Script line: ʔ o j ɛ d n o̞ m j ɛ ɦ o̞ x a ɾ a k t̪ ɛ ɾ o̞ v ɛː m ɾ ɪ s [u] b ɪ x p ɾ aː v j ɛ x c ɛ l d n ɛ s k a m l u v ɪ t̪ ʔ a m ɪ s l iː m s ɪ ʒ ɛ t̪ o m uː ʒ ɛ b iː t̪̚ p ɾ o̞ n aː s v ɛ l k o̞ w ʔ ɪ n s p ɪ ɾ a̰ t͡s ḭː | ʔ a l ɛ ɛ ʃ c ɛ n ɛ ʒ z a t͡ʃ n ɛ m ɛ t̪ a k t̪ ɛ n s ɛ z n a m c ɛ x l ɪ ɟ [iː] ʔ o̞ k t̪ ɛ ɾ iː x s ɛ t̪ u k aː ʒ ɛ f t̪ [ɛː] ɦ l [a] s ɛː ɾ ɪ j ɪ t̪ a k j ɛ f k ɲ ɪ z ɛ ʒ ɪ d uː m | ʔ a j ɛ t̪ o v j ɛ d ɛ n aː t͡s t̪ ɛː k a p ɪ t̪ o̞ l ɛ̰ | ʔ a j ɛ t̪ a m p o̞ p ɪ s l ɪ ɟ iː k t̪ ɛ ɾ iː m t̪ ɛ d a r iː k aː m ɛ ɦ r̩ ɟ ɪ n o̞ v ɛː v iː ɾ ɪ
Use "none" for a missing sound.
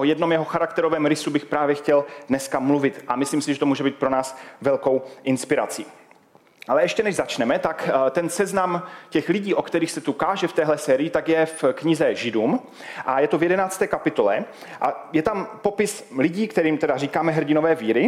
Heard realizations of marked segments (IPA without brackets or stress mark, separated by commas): u, iː, ɛː, ɛ